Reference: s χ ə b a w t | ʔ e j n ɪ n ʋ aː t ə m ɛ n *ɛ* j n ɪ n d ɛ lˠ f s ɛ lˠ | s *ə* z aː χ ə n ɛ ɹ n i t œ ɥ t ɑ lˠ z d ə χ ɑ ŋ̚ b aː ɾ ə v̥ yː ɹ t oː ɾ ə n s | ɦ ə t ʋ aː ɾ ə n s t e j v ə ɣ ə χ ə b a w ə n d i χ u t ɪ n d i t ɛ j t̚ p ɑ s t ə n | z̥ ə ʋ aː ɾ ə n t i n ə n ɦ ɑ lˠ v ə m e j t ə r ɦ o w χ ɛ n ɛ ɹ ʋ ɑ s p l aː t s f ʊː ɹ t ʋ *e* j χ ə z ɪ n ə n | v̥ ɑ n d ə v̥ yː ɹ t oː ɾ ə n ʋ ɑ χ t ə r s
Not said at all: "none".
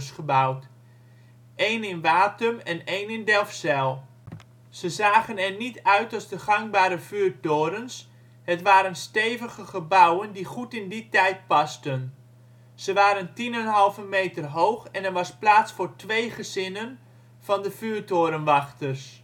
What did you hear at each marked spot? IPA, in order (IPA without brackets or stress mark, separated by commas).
e, ə, e